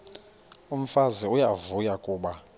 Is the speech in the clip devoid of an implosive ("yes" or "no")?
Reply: no